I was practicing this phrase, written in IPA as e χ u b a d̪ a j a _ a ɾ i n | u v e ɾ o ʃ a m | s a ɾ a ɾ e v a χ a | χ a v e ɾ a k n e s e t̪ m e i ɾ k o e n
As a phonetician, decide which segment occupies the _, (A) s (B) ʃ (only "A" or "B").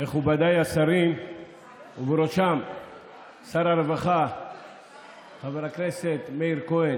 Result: A